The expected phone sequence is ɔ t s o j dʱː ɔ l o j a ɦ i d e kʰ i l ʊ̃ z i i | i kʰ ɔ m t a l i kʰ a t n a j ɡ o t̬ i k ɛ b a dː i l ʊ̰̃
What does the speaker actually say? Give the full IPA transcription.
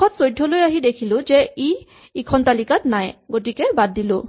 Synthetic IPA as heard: ɔ t s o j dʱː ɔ l o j a ɦ i d e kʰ i l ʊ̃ z ɛ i | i kʰ ɔ n t a l i k a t n a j ɡ o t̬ i k ɛ b a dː i l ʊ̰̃